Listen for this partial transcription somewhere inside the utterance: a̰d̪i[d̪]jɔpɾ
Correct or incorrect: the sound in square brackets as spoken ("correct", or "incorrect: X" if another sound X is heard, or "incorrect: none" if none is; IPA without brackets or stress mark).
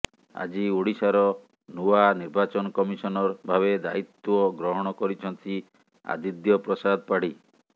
correct